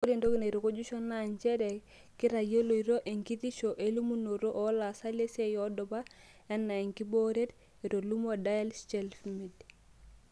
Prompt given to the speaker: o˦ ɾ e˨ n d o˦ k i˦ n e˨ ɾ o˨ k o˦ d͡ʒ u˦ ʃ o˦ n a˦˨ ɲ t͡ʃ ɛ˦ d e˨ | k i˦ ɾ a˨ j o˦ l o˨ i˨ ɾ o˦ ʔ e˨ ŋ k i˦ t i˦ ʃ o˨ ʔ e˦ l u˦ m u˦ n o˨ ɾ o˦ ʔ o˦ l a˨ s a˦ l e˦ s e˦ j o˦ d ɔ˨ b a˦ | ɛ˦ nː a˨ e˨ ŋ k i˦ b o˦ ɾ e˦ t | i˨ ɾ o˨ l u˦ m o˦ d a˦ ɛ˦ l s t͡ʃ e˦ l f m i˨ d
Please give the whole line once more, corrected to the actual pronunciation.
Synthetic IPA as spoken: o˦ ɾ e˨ n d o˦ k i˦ n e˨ ɾ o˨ k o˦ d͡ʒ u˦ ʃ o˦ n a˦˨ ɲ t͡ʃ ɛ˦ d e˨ | k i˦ ɾ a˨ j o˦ l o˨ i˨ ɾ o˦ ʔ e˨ ŋ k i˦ t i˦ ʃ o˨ ʔ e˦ l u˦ m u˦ n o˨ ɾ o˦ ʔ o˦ l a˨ s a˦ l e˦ s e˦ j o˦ d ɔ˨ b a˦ | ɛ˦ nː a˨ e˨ ŋ k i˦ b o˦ ɾ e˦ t | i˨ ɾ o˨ l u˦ m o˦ d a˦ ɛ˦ l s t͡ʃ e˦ l f m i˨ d